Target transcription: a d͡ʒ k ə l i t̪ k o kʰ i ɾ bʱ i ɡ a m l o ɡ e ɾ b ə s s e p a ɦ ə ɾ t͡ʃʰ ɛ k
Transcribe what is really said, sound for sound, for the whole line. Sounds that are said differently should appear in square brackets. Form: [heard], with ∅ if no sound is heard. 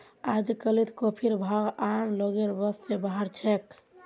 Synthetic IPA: a d͡ʒ k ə l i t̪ k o [pʰ] i ɾ bʱ [a] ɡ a m l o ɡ e ɾ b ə s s e [b] a ɦ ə ɾ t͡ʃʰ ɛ k